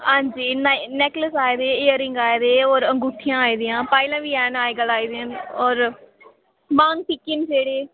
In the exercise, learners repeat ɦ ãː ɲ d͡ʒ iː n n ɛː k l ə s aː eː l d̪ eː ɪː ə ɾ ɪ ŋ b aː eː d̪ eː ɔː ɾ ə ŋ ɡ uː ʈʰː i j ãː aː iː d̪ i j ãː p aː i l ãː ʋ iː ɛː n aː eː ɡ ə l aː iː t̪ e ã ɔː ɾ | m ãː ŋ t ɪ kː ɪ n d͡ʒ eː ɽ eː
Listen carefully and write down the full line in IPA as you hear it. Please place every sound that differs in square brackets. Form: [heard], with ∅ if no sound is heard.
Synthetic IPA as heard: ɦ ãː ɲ d͡ʒ iː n n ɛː k l ə s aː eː [∅] d̪ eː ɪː ə ɾ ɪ ŋ [ɡ] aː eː d̪ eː ɔː ɾ ə ŋ ɡ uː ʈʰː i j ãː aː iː d̪ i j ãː p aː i l ãː ʋ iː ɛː n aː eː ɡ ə l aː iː [d̪] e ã ɔː ɾ | m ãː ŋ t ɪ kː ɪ n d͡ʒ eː ɽ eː